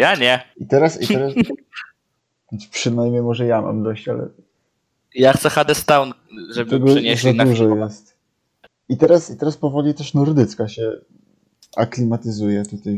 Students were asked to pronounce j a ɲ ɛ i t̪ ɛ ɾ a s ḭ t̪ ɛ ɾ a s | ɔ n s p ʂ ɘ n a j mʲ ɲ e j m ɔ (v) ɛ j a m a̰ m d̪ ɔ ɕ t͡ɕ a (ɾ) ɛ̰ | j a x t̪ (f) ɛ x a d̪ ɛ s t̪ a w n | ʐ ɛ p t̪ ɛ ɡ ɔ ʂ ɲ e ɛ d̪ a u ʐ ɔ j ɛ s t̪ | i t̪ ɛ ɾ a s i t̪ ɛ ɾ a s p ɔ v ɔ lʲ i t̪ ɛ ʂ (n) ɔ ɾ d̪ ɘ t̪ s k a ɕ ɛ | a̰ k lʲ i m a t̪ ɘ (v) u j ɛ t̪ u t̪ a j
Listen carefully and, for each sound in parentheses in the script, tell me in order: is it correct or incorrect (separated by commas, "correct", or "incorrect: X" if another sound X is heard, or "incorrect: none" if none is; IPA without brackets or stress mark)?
incorrect: ʐ, incorrect: l, incorrect: s, correct, incorrect: z